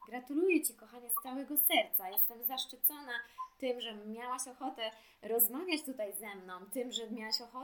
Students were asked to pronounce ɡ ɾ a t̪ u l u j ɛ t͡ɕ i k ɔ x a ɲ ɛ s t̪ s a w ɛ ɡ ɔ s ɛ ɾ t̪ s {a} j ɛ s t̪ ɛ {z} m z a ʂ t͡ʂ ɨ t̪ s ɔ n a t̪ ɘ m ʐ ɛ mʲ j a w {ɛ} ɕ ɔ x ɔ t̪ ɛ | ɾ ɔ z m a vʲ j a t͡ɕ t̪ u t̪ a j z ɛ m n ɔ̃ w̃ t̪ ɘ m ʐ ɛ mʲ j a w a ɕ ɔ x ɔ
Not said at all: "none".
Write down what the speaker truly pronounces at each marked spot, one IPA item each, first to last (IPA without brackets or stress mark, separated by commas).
a, none, a